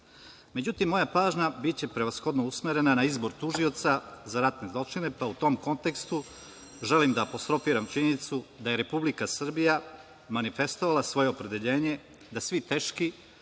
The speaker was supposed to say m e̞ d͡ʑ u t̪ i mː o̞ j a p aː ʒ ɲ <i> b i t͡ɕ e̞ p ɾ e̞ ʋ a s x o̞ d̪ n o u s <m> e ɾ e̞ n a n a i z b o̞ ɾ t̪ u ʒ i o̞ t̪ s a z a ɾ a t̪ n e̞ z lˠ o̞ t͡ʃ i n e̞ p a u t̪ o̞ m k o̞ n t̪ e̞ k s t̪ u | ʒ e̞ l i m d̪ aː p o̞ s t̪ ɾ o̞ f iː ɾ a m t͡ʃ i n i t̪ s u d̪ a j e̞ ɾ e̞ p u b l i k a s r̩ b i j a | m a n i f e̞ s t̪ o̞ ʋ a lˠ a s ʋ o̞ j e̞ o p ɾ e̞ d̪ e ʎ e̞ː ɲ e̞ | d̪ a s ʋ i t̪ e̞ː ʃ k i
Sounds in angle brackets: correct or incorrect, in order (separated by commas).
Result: incorrect, correct